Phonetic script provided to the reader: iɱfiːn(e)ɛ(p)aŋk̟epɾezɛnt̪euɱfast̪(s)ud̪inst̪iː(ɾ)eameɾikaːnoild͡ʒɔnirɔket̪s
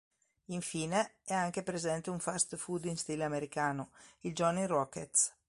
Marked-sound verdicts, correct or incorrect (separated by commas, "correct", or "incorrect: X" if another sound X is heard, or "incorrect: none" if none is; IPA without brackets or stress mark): correct, incorrect: none, incorrect: f, incorrect: l